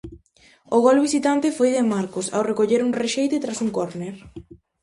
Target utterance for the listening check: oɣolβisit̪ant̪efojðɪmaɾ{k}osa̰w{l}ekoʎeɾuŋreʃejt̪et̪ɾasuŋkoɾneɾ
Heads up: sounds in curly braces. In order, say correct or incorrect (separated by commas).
correct, incorrect